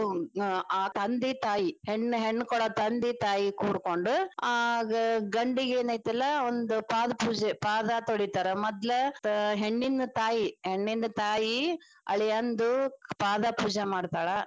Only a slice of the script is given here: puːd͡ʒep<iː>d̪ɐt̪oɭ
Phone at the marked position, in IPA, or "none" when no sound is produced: aː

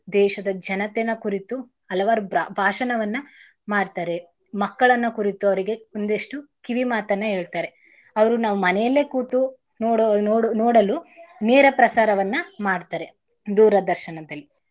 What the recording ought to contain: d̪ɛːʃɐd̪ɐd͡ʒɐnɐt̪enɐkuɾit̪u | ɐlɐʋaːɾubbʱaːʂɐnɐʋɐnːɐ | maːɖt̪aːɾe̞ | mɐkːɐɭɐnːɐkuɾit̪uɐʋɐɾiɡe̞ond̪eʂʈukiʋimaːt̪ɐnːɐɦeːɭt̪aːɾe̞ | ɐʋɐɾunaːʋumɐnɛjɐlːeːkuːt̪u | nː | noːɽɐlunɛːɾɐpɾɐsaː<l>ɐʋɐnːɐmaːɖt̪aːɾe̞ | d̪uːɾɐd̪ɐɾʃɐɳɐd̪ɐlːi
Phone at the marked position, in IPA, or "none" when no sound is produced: ɾ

